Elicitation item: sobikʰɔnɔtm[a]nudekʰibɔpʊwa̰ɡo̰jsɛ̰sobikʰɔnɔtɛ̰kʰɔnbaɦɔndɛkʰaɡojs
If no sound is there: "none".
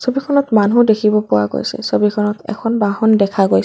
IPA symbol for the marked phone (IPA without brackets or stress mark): a